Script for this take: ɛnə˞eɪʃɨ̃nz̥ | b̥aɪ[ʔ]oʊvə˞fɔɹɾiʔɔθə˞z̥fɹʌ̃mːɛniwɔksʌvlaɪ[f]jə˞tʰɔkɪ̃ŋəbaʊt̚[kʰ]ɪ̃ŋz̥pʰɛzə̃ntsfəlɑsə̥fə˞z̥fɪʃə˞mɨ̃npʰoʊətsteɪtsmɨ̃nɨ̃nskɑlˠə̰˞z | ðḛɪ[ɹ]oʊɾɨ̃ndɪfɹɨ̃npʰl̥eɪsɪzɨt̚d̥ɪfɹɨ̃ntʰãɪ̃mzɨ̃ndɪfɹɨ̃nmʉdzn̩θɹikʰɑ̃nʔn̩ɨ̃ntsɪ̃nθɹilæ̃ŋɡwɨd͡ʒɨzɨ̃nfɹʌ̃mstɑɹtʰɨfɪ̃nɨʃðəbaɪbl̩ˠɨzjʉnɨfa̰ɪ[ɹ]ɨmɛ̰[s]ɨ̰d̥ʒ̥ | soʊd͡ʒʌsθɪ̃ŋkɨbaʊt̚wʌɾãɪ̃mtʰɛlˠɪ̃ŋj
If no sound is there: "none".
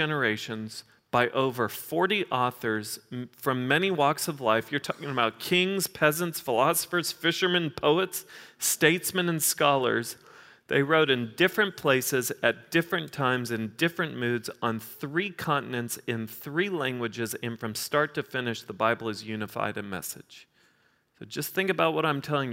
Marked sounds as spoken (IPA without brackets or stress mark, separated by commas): ʔ, f, kʰ, ɹ, ɾ, s